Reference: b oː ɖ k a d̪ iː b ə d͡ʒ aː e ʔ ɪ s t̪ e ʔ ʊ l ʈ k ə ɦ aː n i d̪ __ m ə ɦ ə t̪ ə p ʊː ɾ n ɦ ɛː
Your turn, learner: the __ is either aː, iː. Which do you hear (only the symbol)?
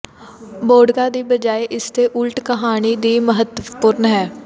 iː